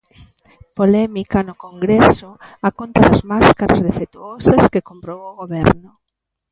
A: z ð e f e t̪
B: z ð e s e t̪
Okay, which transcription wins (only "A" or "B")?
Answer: A